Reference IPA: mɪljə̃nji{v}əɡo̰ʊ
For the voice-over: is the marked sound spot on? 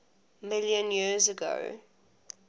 no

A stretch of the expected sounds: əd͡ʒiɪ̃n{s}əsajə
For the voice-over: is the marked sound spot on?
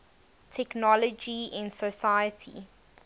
yes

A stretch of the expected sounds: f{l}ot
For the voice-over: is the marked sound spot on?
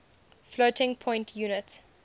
yes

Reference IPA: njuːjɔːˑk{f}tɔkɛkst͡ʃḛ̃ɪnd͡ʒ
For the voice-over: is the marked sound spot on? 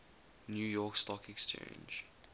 no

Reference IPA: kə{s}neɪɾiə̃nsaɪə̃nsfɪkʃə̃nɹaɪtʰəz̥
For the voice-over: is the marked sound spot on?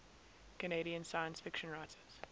no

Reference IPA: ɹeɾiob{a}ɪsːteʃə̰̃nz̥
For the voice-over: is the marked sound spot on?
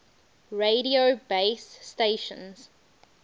no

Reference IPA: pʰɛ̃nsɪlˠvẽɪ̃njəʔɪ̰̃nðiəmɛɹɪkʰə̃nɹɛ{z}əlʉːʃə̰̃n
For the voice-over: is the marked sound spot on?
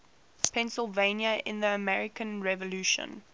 no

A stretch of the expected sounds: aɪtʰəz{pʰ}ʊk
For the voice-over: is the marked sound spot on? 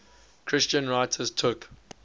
no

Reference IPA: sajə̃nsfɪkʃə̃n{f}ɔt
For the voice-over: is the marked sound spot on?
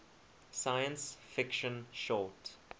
no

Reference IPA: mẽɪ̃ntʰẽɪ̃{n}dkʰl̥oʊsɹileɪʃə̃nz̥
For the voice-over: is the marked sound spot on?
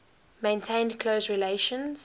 yes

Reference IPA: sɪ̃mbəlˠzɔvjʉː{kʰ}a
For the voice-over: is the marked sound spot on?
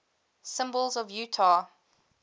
no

